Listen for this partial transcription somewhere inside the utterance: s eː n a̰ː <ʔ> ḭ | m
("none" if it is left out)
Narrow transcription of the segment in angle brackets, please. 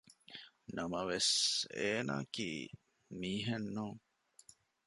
k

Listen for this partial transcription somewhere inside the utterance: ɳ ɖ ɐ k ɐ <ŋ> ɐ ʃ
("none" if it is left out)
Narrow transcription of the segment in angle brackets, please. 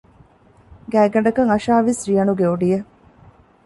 ŋ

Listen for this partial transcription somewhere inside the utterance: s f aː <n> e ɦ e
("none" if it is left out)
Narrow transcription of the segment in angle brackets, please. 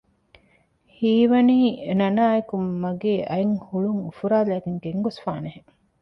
n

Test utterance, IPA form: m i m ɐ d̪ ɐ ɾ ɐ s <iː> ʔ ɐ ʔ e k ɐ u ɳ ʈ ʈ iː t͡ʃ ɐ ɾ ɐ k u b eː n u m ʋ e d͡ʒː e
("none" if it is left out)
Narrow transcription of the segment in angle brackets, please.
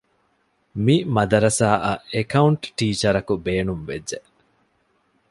aː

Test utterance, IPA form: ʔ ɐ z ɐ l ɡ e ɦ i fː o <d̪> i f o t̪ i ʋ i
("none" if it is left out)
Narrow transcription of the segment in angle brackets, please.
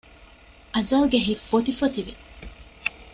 t̪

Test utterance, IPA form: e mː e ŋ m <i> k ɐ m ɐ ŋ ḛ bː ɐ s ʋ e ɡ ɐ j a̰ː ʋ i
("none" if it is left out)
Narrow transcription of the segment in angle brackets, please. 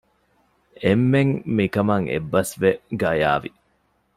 i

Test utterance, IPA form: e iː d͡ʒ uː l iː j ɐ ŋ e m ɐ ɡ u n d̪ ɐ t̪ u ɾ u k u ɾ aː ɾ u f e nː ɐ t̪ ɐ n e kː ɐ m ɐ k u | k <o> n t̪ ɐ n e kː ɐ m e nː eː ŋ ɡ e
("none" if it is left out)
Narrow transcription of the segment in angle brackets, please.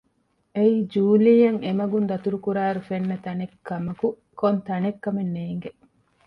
o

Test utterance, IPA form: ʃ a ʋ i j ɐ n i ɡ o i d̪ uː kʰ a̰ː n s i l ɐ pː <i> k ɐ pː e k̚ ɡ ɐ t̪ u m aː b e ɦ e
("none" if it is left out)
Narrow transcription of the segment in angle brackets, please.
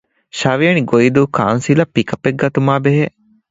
i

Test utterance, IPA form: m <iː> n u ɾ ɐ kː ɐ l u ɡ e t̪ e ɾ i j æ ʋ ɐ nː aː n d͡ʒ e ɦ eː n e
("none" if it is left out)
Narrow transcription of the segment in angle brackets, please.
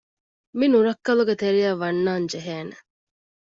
i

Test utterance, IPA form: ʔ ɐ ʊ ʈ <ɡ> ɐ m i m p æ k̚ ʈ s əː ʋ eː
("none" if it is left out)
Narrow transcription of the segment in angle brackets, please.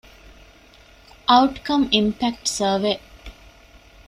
k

